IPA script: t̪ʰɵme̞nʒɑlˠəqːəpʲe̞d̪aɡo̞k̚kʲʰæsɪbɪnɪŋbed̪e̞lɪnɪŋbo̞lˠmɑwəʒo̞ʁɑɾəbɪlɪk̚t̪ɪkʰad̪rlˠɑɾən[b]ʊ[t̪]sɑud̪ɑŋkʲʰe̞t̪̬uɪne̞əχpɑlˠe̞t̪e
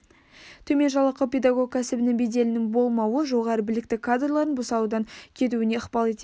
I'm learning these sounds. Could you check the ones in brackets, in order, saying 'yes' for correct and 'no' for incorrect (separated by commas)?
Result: yes, no